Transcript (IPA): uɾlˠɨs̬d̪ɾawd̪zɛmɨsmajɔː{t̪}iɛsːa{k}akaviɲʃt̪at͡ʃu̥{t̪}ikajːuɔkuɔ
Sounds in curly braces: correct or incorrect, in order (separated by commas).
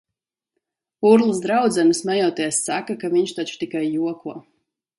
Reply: correct, correct, correct